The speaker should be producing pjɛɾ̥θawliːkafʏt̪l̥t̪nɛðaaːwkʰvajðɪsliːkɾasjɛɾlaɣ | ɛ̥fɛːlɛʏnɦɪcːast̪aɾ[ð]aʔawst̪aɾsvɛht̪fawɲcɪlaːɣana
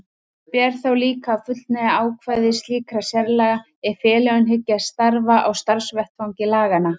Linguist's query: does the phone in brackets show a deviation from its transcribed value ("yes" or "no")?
yes